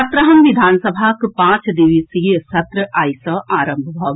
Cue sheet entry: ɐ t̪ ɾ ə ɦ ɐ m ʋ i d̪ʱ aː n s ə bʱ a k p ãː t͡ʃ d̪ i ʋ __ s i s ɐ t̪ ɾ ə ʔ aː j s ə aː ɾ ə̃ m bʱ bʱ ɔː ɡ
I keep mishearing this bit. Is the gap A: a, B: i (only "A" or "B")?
B